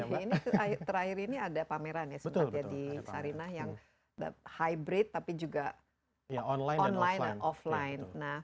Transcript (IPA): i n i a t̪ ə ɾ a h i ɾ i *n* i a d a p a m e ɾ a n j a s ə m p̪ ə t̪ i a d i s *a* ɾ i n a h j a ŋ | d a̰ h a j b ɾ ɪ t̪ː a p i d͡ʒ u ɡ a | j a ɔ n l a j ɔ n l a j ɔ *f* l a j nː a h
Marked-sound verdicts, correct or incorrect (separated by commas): correct, correct, correct